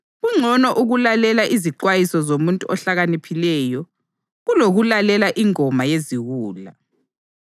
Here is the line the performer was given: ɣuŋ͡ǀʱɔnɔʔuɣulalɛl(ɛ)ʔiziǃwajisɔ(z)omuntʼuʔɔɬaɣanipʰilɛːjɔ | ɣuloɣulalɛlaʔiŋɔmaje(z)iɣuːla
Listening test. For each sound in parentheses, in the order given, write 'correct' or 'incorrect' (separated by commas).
incorrect, correct, correct